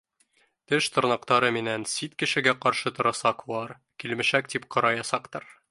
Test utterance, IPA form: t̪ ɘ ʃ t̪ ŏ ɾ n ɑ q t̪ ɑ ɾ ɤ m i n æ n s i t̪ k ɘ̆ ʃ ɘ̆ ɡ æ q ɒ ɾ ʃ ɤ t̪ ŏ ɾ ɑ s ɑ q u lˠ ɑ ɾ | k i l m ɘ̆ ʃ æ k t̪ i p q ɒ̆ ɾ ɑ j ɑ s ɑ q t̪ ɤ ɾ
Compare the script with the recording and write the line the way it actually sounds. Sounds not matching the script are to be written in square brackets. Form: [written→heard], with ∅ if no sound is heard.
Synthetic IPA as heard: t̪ ɘ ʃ t̪ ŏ ɾ n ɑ q t̪ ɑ ɾ ɤ m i n æ n s i t̪ k ɘ̆ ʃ ɘ̆ ɡ æ q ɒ ɾ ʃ ɤ t̪ ŏ ɾ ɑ s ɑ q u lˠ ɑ ɾ | k i l m ɘ̆ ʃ æ k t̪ i p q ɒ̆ ɾ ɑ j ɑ s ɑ q t̪ ɤ ɾ

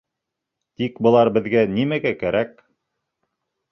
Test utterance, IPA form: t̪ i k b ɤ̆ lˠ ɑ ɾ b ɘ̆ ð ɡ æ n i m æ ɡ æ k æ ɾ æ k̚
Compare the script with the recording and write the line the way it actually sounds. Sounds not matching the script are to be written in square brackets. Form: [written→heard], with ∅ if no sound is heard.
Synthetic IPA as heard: t̪ i k b ɤ̆ lˠ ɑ ɾ b ɘ̆ ð ɡ æ n i m æ ɡ æ k æ ɾ æ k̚

